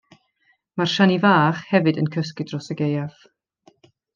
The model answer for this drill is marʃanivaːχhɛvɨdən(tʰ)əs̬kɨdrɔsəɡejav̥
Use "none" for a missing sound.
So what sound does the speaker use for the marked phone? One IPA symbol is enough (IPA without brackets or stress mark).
kʰ